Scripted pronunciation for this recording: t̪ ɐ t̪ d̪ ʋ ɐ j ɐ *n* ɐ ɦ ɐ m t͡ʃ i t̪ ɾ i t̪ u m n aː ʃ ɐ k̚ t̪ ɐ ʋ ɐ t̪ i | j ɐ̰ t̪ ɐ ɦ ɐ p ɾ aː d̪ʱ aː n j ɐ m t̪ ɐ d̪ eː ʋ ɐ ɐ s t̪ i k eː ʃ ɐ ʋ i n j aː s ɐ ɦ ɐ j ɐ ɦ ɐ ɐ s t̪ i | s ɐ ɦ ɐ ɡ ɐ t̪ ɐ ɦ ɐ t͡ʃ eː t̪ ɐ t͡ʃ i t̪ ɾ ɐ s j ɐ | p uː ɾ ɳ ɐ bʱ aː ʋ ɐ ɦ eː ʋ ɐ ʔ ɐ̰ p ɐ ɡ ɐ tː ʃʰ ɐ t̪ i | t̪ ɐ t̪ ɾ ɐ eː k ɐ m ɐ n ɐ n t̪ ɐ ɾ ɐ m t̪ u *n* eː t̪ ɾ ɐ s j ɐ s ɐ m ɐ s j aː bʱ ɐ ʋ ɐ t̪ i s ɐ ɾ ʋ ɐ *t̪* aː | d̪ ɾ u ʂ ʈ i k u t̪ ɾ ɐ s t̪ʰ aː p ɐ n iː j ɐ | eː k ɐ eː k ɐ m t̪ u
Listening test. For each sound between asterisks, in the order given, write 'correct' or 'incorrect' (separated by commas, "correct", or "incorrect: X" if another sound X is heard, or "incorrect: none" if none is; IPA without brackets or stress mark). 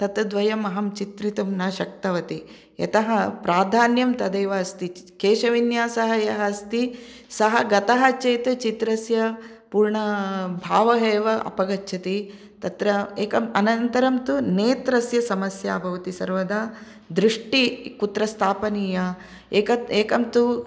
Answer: incorrect: m, correct, incorrect: d̪